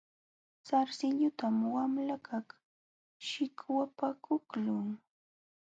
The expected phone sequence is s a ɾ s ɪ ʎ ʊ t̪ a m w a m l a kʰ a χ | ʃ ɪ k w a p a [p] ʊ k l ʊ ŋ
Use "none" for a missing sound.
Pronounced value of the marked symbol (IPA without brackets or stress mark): k